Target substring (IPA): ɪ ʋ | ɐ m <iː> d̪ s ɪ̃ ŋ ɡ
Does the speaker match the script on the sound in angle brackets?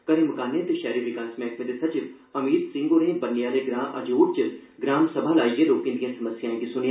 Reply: yes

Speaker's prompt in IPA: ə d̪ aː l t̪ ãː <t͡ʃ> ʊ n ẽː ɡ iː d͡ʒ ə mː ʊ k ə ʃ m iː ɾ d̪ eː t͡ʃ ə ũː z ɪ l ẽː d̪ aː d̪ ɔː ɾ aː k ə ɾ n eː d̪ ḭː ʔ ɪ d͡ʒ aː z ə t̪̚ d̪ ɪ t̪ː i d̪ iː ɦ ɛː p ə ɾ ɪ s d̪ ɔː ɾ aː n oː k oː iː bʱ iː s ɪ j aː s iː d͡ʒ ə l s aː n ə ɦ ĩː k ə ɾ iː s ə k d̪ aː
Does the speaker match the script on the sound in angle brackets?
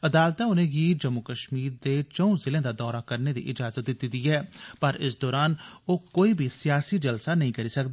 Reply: no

